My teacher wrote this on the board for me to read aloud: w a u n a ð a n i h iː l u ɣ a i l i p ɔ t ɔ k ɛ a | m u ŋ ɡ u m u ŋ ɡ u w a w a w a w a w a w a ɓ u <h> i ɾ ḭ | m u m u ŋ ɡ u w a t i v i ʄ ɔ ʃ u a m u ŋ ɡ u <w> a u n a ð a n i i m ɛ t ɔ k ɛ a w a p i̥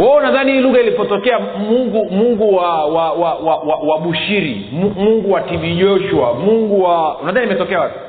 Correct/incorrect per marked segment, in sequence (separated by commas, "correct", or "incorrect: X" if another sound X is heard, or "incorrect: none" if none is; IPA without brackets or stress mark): incorrect: ʃ, correct